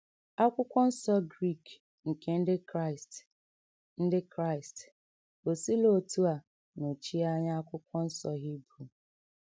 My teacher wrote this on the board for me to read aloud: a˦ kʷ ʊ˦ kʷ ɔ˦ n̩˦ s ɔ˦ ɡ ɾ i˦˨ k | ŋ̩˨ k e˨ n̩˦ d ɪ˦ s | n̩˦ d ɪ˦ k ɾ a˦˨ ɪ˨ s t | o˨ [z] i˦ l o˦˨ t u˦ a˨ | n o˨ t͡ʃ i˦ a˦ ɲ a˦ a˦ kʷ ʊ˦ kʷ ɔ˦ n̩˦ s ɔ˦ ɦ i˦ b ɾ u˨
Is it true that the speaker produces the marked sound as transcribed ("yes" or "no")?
no